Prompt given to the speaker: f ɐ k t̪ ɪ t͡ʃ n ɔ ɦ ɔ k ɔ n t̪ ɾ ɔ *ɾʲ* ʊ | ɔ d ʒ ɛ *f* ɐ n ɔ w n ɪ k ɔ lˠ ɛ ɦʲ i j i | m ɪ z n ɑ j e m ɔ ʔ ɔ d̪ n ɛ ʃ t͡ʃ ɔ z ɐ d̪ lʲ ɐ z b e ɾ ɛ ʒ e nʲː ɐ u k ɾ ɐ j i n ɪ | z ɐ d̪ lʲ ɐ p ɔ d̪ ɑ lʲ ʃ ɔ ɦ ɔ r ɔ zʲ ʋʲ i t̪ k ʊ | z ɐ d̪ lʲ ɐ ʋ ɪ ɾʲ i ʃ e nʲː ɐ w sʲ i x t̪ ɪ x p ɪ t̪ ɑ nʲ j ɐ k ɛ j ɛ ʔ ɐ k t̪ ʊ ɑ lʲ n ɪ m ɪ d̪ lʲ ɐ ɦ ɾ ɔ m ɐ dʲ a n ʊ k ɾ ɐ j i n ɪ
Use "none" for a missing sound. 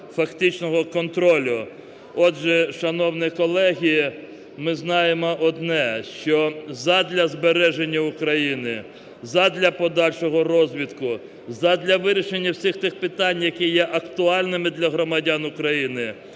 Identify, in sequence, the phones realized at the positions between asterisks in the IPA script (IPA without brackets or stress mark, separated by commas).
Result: lʲ, ʃ